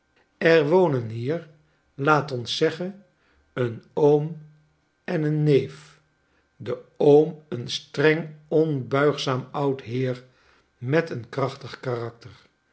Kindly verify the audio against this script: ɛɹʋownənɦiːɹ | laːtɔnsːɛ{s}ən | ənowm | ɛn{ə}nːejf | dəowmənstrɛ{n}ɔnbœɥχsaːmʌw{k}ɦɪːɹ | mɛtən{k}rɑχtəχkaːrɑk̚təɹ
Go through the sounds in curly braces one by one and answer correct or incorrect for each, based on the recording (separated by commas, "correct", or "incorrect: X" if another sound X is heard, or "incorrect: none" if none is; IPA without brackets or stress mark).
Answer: incorrect: χ, correct, incorrect: ŋ, incorrect: t, correct